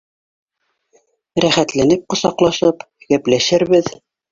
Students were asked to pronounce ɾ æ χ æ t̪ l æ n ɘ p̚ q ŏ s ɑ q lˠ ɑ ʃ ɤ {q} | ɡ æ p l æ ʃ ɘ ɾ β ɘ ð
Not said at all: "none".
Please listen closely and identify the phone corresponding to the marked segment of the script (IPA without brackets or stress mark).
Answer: p